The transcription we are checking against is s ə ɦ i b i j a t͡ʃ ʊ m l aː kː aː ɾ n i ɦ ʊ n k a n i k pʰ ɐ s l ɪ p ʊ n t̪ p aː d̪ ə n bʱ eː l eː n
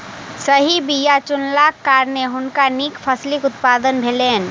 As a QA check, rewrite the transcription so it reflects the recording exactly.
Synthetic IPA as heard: s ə ɦ i b i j a t͡ʃ ʊ n l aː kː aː ɾ n e ɦ ʊ n k a n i k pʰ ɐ s l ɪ k ʊ t̪ p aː d̪ ə n bʱ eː l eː n